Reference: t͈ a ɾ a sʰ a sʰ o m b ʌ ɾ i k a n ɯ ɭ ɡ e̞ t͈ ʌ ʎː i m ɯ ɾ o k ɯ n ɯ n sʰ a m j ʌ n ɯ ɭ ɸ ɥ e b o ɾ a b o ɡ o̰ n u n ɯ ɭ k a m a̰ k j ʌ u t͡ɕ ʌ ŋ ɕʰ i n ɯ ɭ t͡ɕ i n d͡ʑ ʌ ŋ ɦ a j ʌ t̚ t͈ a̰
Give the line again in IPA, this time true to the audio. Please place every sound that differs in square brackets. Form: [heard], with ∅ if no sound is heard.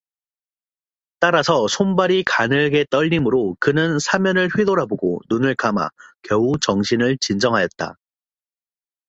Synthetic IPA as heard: t͈ a ɾ a sʰ [ʌ] sʰ o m b [a] ɾ i k a n ɯ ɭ ɡ e̞ t͈ ʌ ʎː i m ɯ ɾ o k ɯ n ɯ n sʰ a m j ʌ n ɯ ɭ ɸ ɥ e [d] o ɾ a b o ɡ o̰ n u n ɯ ɭ k a m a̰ k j ʌ u t͡ɕ ʌ ŋ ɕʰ i n ɯ ɭ t͡ɕ i n d͡ʑ ʌ ŋ ɦ a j ʌ t̚ t͈ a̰